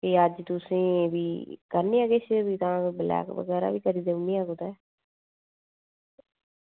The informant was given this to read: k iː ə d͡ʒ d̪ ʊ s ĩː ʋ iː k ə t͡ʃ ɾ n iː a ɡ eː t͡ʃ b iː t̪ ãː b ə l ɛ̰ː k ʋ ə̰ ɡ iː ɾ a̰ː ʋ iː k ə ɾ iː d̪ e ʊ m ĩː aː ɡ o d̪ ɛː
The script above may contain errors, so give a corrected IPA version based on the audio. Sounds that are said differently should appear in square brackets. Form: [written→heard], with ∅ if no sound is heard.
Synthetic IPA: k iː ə d͡ʒ [d̪→t̪] ʊ s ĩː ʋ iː k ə [t͡ʃ→∅] ɾ n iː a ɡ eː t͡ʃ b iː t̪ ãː b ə l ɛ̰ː k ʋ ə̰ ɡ [iː→ɛː] ɾ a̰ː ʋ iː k ə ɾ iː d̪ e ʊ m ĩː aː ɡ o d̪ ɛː